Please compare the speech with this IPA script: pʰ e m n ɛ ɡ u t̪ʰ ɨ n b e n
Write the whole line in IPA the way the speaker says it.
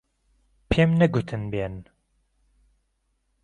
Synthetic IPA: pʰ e m n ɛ ɡ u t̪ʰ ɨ n b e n

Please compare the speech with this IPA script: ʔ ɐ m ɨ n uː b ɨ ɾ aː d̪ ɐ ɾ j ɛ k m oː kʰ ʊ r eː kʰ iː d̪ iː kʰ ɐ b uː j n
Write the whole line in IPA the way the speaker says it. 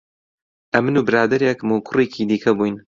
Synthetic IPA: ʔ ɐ m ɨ n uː b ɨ ɾ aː d̪ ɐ ɾ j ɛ k m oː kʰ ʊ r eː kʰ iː d̪ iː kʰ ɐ b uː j n

